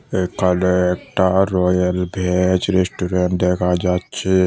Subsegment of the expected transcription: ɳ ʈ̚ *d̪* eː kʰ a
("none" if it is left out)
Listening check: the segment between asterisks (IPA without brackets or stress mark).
d̪